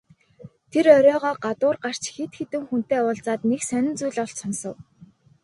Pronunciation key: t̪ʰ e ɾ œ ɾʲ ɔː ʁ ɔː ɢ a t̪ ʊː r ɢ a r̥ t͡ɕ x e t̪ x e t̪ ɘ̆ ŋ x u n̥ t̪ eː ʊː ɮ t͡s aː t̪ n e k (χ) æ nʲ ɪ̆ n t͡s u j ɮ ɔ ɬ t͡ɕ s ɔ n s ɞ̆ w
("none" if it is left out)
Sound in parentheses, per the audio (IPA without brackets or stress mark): s